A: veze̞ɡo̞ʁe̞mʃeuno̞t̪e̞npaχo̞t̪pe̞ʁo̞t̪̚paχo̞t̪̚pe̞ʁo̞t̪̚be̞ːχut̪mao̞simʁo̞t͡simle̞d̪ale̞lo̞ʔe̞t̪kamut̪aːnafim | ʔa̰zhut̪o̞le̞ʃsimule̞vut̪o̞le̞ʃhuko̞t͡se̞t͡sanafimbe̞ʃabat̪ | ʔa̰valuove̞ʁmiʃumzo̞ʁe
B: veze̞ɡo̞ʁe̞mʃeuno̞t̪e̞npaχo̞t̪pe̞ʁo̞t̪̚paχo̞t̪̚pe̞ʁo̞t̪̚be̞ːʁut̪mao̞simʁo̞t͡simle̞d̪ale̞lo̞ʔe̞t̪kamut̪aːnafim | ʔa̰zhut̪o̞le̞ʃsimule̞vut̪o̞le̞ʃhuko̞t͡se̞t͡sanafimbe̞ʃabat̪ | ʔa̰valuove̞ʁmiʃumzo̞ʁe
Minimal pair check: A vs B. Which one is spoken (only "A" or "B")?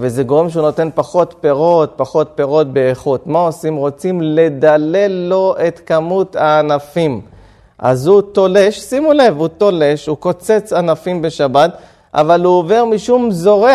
A